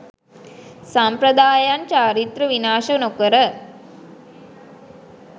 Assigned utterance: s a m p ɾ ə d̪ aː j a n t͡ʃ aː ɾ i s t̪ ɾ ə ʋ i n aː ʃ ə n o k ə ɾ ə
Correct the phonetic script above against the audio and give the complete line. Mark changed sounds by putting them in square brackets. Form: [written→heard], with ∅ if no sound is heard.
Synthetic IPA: s a m p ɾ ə d̪ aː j a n t͡ʃ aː ɾ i [s→∅] t̪ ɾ ə ʋ i n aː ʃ ə n o k ə ɾ ə